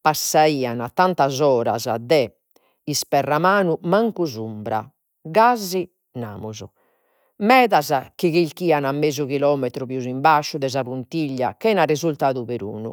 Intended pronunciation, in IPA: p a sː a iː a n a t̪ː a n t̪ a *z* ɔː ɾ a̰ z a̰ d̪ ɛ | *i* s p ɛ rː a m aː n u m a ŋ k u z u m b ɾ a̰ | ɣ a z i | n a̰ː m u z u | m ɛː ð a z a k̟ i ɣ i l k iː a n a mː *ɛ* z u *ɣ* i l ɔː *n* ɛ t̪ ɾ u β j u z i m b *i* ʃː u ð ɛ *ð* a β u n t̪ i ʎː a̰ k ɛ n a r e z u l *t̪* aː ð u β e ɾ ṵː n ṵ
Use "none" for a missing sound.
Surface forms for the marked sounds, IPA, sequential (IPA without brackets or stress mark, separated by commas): z, i, e, ɣ, m, a, z, t̪